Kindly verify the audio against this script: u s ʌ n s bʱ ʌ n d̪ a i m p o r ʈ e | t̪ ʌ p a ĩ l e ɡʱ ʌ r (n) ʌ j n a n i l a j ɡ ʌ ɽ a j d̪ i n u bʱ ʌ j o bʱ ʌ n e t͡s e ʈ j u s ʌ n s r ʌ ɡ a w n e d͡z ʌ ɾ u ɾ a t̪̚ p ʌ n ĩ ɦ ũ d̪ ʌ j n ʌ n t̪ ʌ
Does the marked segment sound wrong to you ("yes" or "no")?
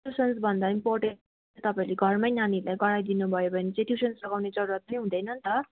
yes